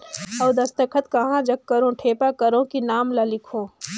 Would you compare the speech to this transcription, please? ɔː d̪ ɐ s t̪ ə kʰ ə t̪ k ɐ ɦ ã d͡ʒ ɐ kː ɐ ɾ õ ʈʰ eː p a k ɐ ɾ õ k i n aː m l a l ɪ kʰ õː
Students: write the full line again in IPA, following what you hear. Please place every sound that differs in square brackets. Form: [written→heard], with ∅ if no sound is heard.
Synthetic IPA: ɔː d̪ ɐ s t̪ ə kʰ ə t̪ k ɐ ɦ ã d͡ʒ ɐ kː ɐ ɾ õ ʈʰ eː p a k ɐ ɾ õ k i n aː m l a l ɪ kʰ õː

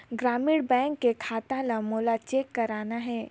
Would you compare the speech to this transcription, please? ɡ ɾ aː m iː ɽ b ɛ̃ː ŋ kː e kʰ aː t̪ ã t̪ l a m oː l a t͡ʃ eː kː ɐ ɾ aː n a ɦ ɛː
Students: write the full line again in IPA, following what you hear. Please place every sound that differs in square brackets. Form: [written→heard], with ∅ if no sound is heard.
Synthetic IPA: ɡ ɾ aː m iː ɽ b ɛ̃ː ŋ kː e kʰ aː t̪ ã [t̪→∅] l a m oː l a t͡ʃ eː kː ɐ ɾ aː n a ɦ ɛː

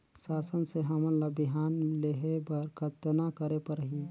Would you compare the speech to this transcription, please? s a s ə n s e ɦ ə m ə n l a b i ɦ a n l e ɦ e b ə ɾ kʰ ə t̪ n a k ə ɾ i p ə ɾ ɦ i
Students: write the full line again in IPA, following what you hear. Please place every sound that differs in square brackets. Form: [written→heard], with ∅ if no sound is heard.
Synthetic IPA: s a s ə n s e ɦ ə m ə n l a b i ɦ a n l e ɦ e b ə ɾ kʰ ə t̪ n a k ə ɾ [i→e] p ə ɾ ɦ i

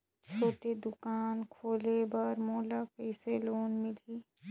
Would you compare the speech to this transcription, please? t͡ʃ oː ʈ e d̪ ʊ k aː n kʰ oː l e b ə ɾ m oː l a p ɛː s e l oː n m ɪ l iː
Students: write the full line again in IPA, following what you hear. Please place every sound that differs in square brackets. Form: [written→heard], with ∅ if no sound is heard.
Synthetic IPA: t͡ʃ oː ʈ e d̪ ʊ k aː n kʰ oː l e b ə ɾ m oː l a p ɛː s e l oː n m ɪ l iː

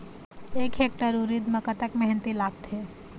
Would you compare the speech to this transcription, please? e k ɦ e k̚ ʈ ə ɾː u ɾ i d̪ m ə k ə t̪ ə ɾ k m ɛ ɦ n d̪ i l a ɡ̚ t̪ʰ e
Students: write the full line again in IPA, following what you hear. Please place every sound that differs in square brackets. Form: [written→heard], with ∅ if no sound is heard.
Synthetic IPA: e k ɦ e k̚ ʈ ə [ɾː→ɾ] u ɾ i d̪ m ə k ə t̪ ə [ɾ→∅] k m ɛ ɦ n [d̪→t̪] i l a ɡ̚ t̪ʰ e

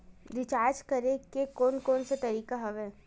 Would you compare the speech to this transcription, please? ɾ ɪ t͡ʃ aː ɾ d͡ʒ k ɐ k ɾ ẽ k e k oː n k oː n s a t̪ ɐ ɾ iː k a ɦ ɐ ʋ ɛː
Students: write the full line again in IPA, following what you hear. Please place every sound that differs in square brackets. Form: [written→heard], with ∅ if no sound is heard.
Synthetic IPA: ɾ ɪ t͡ʃ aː ɾ d͡ʒ k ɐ [k→∅] ɾ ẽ k e k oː n k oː n s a t̪ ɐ ɾ iː k a ɦ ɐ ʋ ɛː

